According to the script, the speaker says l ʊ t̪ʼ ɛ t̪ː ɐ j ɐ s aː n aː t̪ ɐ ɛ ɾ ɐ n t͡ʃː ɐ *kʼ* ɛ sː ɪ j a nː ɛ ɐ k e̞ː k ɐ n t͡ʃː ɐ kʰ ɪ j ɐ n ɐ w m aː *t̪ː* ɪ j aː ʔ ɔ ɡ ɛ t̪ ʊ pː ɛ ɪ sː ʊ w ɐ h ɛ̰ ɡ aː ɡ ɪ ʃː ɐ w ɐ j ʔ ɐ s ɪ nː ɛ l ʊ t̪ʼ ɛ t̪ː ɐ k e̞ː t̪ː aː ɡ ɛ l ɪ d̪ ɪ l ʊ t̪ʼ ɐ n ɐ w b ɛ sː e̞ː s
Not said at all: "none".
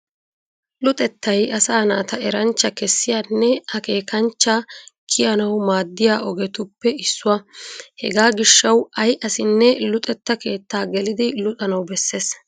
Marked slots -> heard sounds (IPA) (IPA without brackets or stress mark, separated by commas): k, d̪ː